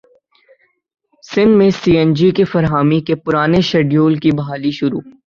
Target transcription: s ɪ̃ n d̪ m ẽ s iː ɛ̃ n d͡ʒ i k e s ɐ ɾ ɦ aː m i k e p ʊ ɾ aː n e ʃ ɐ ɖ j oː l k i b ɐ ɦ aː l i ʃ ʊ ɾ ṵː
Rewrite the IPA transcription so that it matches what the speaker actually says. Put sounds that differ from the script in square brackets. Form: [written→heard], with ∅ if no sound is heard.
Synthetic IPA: s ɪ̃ n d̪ m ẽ s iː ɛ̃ n d͡ʒ i k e [s→f] ɐ ɾ ɦ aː m i k e p ʊ ɾ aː n e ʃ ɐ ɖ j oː l k i b ɐ ɦ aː l i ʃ ʊ ɾ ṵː